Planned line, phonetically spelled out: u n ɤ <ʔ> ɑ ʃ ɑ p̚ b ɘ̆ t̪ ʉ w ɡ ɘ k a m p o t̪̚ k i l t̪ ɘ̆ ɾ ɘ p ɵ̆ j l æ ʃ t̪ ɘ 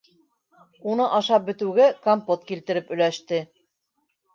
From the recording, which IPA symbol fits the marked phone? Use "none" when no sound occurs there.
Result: ʔ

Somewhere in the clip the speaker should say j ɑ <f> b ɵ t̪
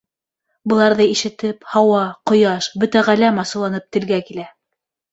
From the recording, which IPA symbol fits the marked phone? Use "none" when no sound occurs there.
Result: ʃ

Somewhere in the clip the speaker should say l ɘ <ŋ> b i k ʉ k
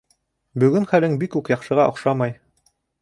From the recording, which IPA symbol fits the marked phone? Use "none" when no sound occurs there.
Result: ŋ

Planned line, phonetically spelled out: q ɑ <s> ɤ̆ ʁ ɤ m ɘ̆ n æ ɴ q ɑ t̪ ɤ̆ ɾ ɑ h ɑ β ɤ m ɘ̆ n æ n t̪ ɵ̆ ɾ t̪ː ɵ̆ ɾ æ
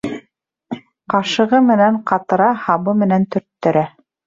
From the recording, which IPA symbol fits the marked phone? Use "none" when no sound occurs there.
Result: ʃ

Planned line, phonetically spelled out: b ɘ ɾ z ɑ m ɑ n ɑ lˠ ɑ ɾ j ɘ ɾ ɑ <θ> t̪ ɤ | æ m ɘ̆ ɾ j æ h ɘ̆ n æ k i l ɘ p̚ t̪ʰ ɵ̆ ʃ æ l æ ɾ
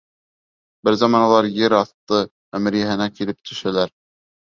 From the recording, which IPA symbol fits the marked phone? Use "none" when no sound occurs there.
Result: θ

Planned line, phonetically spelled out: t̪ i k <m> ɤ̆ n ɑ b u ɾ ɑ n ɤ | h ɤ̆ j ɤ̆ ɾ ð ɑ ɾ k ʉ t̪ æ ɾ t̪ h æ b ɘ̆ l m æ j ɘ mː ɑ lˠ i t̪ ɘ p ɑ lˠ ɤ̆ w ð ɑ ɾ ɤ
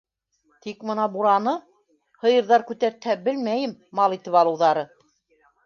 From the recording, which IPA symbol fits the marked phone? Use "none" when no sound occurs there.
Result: m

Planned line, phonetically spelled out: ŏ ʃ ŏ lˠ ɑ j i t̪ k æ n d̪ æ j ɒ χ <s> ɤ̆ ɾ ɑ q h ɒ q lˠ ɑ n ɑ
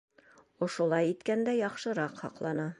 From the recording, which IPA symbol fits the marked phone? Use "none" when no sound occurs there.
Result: ʃ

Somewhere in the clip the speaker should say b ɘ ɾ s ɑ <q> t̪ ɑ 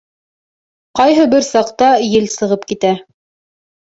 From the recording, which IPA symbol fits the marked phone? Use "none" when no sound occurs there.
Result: q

